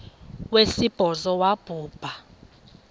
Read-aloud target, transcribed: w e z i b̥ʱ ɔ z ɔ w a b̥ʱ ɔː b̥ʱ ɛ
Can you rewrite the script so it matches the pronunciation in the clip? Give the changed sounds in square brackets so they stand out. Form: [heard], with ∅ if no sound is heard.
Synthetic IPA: w e [s] i b̥ʱ ɔ z ɔ w a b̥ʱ [uː] b̥ʱ [a]